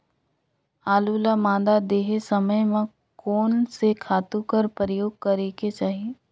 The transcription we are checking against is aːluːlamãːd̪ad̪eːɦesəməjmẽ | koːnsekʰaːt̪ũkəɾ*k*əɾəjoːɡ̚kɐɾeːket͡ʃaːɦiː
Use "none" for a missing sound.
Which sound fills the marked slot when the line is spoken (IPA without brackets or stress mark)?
p